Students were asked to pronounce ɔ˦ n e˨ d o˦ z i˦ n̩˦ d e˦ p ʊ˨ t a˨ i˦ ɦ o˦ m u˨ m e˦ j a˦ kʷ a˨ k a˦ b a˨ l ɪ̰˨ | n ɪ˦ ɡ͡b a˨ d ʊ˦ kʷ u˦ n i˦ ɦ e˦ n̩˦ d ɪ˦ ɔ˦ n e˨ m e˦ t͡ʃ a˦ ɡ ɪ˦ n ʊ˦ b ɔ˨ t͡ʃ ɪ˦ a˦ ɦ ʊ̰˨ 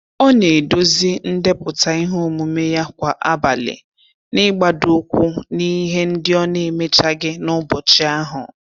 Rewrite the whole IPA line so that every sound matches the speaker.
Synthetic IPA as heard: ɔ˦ n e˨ d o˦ z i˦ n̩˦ d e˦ p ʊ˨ t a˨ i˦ ɦ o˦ m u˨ m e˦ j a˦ kʷ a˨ ʔ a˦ b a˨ l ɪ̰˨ | n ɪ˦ ɡ͡b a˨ d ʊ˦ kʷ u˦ n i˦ ɦ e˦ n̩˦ d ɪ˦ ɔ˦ n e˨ m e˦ t͡ʃ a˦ ɡ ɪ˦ n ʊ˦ b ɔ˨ t͡ʃ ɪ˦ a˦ ɦ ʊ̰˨